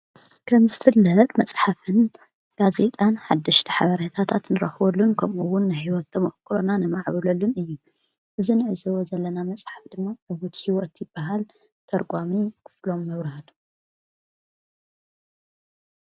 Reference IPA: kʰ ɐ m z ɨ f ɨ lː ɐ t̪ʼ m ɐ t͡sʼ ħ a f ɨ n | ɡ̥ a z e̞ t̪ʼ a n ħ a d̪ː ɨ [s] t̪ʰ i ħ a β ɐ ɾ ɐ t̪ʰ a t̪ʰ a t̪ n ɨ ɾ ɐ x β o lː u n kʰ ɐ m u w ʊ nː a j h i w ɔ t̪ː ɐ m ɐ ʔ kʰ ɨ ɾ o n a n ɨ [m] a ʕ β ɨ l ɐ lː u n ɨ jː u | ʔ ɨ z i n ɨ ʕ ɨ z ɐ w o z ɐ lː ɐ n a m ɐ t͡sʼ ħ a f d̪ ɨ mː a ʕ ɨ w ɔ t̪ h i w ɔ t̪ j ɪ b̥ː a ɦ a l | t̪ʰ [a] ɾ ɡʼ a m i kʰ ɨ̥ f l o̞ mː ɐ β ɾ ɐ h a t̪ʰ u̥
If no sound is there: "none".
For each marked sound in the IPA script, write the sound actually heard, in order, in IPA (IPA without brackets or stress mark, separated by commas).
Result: ʃ, m, ɐ